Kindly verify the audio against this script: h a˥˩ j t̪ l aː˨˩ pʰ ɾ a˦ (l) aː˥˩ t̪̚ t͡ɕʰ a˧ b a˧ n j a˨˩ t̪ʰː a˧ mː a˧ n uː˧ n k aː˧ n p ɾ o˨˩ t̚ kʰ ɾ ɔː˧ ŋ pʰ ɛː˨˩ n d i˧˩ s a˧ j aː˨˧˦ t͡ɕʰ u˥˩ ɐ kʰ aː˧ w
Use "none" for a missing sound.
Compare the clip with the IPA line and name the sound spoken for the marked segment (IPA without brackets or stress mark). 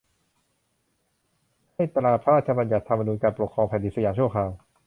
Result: ɾ